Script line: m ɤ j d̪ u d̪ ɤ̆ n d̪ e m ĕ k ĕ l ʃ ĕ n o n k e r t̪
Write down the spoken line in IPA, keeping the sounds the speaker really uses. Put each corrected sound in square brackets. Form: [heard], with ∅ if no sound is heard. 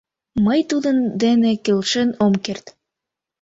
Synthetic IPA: m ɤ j [t̪] u d̪ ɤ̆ n d̪ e [n] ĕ k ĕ l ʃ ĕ n o [m] k e r t̪